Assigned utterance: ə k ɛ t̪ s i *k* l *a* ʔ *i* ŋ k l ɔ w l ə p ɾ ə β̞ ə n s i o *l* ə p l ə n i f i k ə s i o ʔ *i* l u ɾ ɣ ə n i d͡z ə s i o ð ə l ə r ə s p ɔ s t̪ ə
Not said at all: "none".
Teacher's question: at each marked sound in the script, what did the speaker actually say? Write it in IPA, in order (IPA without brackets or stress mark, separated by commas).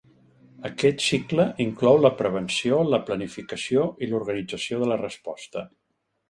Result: k, ə, i, l, i